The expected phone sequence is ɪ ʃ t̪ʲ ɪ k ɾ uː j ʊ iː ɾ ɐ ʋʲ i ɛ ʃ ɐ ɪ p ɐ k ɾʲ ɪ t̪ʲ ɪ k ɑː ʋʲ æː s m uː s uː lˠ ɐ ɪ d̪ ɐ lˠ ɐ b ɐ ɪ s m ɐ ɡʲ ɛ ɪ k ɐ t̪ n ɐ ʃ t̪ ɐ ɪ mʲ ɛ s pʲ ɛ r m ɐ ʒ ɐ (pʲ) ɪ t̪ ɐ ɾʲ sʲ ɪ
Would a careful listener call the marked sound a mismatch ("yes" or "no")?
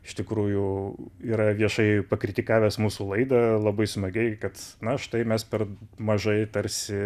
yes